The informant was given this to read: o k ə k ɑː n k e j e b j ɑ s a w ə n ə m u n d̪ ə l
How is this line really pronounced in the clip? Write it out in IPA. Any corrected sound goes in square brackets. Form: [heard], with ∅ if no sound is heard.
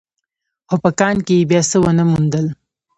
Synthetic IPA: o [p] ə k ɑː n k e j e b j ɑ s [ə] w ə n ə m u n d̪ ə l